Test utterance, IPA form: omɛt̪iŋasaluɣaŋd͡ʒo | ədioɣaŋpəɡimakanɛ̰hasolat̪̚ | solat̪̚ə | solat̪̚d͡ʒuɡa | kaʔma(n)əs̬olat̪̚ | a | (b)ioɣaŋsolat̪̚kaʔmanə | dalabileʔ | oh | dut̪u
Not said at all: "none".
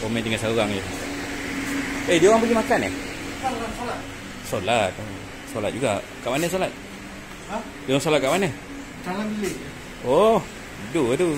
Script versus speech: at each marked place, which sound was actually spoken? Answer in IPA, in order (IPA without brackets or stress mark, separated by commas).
n, d